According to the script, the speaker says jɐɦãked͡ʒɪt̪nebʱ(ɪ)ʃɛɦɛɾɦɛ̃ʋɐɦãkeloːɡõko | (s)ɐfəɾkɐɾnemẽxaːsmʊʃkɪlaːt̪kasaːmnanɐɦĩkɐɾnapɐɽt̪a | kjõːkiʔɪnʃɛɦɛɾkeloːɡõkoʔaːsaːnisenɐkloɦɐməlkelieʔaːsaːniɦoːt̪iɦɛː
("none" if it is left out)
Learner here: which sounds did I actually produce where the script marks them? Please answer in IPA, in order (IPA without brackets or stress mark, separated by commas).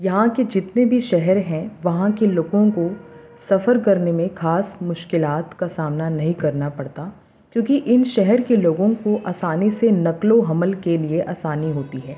i, s